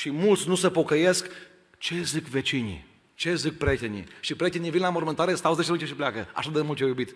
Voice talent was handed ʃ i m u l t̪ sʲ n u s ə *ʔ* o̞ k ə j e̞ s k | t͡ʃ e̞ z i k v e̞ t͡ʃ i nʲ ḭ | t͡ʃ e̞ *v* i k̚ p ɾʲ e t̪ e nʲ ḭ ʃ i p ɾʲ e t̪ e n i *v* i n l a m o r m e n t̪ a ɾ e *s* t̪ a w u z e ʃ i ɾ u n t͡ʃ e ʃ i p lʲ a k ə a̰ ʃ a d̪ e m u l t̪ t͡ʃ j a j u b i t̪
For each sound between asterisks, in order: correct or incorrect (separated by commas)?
incorrect, incorrect, correct, correct